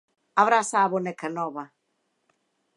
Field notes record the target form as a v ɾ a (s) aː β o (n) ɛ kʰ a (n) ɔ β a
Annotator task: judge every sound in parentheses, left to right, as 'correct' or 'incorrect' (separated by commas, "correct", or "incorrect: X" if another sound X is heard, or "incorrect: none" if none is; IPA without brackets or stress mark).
correct, correct, correct